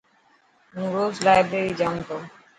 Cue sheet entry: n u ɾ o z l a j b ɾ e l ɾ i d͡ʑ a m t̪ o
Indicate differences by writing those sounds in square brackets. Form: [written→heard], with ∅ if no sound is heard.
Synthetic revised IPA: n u ɾ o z l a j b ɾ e [l→∅] ɾ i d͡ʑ a [m→n] t̪ o